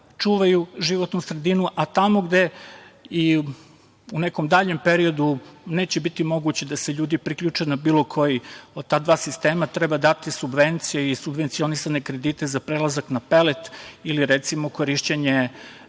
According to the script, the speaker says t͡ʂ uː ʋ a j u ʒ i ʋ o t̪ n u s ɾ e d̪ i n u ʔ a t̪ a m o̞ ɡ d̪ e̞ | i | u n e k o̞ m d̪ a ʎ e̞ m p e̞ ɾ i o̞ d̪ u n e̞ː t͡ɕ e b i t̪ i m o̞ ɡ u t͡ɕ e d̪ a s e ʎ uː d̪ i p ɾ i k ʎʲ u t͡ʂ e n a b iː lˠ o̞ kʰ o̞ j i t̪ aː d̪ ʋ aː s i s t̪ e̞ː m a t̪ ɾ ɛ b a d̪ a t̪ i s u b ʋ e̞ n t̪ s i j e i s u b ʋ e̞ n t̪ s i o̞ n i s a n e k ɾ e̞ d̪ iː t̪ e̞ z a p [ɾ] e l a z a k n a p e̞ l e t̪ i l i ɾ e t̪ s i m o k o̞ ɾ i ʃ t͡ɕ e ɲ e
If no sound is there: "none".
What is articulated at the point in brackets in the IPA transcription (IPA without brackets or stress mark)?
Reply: ɾ